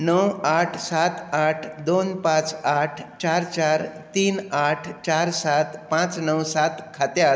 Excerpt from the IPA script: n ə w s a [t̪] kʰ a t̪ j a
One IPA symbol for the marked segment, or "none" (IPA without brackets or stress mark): t̪